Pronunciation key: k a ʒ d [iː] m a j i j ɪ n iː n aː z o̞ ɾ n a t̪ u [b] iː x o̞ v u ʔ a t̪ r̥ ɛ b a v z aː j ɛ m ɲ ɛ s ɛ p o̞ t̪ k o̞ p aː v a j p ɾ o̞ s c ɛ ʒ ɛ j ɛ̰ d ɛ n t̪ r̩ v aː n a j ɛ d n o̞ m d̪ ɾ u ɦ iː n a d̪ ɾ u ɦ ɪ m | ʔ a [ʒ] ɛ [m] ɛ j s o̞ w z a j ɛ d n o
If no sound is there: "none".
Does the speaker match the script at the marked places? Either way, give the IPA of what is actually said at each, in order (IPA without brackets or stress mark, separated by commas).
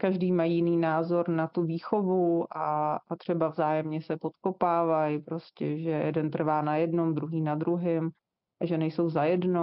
iː, v, ʒ, n